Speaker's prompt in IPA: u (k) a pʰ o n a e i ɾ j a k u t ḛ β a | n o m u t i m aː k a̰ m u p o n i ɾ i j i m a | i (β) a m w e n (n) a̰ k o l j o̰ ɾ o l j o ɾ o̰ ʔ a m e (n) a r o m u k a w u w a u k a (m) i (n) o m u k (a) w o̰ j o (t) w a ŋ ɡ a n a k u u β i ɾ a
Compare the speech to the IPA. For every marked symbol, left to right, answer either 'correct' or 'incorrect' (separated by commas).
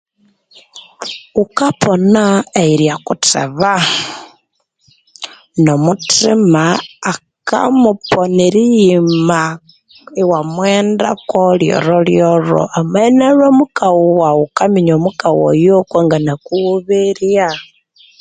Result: correct, incorrect, incorrect, correct, correct, incorrect, correct, incorrect